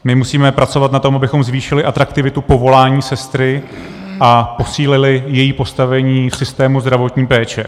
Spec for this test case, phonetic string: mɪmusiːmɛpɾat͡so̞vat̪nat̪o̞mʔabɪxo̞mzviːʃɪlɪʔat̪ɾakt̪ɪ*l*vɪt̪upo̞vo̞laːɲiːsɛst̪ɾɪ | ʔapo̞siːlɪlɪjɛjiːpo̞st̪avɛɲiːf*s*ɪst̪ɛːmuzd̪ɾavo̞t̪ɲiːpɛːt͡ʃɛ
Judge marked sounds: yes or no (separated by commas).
no, yes